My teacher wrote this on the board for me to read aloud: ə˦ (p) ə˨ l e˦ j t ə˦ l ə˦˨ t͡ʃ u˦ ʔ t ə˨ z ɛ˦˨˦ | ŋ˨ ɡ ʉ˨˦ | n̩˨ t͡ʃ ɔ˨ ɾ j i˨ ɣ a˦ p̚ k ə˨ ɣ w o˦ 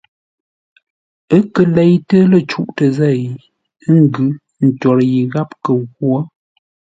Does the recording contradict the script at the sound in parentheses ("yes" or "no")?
yes